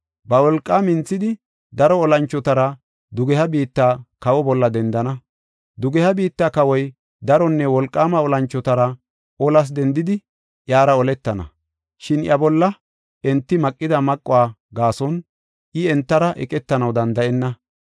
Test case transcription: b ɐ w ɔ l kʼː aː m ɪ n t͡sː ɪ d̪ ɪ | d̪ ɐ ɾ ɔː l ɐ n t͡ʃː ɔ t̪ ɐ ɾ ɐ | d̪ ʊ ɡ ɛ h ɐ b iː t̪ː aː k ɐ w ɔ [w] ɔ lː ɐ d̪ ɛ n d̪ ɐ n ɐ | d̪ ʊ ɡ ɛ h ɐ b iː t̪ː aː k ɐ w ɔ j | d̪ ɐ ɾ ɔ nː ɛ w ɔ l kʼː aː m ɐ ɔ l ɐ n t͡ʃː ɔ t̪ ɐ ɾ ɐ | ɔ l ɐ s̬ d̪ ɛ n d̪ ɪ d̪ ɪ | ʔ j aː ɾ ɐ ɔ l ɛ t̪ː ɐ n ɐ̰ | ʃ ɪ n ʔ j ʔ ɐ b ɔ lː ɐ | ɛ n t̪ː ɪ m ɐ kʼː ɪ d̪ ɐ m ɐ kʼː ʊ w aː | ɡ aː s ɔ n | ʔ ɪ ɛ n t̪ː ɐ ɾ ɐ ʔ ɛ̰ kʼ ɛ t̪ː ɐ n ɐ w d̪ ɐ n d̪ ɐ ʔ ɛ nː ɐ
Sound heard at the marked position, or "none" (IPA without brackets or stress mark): b